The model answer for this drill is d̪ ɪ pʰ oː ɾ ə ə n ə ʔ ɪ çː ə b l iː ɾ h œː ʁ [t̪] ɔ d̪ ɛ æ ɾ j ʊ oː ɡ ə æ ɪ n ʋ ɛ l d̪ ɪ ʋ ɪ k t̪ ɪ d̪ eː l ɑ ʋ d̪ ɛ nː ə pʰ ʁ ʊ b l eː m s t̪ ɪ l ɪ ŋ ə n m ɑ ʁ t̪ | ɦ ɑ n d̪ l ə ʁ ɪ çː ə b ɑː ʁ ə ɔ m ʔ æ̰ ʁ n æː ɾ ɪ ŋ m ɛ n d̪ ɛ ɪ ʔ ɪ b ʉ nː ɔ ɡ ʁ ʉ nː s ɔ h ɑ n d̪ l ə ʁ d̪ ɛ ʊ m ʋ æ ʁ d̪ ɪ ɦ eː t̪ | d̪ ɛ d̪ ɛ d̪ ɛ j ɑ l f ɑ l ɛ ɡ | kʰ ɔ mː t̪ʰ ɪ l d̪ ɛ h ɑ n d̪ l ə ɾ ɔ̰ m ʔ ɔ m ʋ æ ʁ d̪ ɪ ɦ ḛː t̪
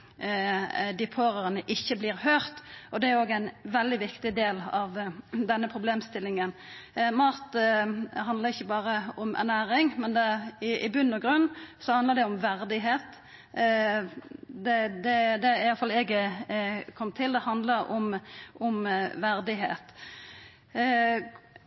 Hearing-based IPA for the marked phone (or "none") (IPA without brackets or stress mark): t̪